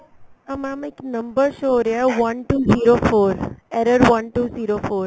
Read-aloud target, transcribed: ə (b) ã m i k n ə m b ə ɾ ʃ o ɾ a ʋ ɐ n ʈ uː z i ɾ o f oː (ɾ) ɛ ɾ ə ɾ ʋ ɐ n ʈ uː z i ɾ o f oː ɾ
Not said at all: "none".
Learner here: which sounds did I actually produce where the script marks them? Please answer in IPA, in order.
m, ɾ

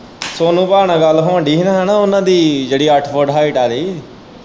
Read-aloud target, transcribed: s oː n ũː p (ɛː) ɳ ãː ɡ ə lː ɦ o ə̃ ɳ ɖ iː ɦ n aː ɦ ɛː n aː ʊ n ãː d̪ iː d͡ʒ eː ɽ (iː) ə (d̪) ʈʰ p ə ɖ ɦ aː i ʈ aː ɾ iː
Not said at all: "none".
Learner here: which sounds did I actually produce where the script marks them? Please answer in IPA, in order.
aː, iː, none

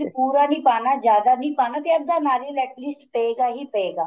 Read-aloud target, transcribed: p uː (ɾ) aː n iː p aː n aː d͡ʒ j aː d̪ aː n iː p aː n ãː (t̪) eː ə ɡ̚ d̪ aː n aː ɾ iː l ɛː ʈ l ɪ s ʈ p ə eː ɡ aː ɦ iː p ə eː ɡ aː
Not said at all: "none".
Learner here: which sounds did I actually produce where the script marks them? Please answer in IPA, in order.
ɾ, t̪

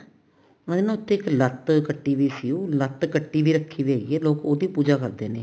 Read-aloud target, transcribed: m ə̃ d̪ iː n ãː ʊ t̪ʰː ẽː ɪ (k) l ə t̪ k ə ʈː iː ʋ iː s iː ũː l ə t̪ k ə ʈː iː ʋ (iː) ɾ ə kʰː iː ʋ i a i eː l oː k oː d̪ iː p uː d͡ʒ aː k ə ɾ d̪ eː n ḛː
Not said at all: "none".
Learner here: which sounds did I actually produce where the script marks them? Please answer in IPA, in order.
k, iː

